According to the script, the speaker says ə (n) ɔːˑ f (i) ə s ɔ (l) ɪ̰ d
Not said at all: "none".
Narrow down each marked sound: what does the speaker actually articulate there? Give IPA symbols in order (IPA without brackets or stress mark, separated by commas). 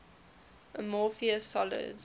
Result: m, i, l